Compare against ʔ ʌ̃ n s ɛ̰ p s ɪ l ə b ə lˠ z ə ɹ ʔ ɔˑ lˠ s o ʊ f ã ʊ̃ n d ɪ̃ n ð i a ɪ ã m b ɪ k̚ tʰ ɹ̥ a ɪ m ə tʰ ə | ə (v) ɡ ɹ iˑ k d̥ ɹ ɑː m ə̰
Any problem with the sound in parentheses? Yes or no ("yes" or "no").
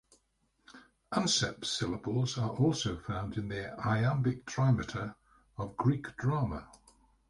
no